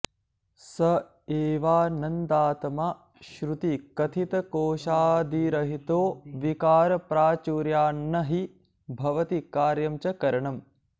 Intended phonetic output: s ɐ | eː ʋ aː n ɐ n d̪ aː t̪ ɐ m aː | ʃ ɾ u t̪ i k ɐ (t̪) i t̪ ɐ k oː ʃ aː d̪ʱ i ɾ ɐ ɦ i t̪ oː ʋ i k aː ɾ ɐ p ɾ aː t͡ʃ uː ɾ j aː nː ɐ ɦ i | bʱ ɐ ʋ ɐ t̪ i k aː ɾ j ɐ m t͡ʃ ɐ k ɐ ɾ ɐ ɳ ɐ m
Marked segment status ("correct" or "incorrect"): incorrect